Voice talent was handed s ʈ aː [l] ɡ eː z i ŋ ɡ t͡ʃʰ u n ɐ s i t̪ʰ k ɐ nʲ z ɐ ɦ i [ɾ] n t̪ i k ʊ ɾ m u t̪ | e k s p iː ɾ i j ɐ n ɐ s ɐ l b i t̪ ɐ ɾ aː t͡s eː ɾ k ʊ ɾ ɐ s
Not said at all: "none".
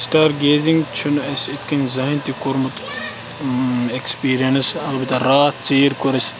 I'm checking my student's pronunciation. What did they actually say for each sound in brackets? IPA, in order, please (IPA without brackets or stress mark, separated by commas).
ɾ, none